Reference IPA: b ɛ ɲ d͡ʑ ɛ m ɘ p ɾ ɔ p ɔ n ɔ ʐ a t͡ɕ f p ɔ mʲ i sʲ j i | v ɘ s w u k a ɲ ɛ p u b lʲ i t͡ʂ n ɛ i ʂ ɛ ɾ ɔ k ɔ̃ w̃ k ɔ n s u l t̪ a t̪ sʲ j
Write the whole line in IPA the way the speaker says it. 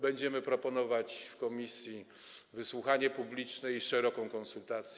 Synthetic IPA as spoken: b ɛ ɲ d͡ʑ ɛ m ɘ p ɾ ɔ p ɔ n ɔ v a t͡ɕ f k ɔ mʲ i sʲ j i | v ɘ s w u x a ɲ ɛ p u b lʲ i t͡ʂ n ɛ i ʂ ɛ ɾ ɔ k ɔ̃ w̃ k ɔ n s u l t̪ a t̪ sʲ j